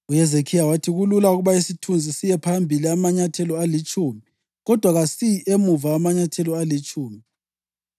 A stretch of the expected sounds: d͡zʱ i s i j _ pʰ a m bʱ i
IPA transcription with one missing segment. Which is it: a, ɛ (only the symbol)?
ɛ